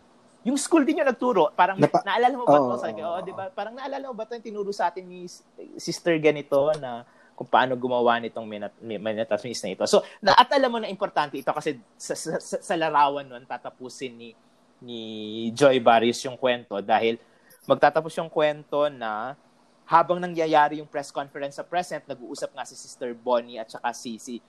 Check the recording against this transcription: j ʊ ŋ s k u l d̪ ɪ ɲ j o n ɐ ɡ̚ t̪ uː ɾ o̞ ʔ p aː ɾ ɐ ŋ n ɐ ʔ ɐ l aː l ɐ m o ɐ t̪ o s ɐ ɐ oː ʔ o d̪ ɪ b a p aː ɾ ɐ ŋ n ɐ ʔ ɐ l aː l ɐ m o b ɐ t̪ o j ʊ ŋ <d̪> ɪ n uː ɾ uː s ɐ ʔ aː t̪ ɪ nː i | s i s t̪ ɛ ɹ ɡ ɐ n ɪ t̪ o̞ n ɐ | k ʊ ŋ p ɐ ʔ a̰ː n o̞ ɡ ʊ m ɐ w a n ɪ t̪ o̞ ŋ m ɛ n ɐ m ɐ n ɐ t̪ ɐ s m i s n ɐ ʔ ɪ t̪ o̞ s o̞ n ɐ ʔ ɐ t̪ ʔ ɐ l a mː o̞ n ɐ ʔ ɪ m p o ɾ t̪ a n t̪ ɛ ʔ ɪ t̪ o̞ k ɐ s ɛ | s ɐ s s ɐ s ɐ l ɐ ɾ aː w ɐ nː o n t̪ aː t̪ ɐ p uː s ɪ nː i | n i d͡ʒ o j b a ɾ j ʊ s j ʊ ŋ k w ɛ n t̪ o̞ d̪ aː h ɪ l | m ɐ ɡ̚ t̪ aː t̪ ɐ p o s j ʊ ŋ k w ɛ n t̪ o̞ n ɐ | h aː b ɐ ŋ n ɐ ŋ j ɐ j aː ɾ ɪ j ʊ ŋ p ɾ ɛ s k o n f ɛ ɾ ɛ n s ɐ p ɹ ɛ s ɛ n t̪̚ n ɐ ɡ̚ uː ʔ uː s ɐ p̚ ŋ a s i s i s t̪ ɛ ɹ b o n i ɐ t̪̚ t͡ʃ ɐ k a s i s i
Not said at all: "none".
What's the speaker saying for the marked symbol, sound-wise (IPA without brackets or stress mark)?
t̪